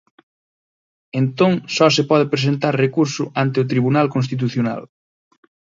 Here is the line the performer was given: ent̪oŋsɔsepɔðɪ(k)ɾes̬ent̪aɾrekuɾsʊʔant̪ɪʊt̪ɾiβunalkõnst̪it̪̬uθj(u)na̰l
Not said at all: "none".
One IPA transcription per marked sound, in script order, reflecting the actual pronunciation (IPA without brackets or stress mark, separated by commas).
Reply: p, o